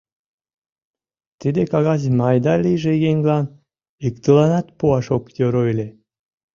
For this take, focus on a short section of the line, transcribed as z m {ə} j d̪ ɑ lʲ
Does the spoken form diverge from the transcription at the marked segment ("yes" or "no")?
yes